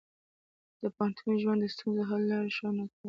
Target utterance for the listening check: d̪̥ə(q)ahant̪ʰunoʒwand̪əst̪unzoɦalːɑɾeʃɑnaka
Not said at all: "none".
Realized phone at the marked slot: p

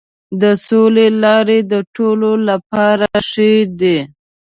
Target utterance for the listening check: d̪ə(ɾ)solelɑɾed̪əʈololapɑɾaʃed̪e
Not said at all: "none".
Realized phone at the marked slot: none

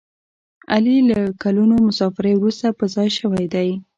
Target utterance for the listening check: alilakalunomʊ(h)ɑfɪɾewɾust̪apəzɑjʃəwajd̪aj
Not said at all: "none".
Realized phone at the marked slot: s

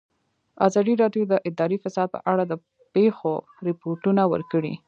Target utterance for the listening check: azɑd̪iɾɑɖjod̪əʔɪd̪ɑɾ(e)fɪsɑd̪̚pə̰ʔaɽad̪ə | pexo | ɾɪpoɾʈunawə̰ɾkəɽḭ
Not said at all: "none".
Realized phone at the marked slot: i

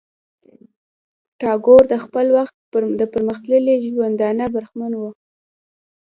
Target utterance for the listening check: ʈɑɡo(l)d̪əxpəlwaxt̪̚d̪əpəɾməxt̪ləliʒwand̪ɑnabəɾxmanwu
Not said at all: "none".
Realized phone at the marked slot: ɾ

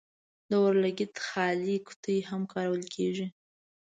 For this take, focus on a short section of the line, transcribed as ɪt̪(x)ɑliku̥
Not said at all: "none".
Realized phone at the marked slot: x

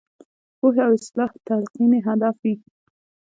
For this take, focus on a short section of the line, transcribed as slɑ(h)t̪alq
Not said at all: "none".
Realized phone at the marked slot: h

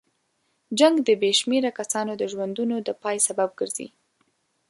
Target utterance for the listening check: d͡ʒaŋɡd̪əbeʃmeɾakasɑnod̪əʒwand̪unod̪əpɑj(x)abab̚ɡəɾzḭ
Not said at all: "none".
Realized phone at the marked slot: s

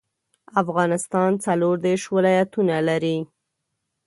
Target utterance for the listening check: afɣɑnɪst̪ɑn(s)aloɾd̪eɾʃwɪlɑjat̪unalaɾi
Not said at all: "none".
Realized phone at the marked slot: t͡s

